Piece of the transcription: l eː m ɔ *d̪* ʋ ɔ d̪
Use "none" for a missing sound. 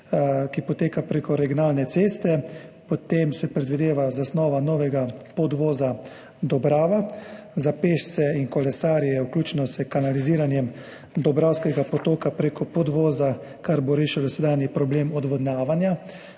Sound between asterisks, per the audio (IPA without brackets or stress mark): d̪